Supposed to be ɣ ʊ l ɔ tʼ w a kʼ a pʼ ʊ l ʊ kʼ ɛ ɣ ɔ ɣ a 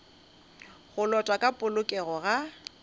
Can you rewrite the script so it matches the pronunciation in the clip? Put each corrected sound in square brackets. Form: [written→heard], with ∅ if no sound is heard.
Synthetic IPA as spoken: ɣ ʊ l ɔ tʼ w a kʼ a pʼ ʊ l ʊ kʼ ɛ ɣ ɔ ɣ a